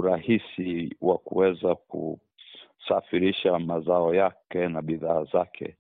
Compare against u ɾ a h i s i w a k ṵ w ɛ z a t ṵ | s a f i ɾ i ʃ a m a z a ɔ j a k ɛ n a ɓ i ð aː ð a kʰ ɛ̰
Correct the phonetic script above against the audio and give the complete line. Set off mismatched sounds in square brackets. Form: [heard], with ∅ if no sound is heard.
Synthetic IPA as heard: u ɾ a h i s i w a k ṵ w ɛ z a [k] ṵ | s a f i ɾ i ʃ a m a z a ɔ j a k ɛ n a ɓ i ð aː [z] a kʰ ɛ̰